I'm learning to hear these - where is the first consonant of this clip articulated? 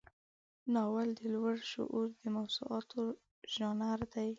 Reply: tongue tip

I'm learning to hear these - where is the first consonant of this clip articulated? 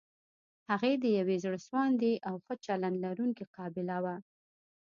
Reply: throat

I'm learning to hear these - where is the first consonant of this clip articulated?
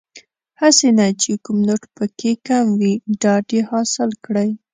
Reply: throat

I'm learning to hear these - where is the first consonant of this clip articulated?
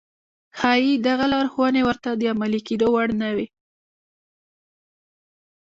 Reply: velum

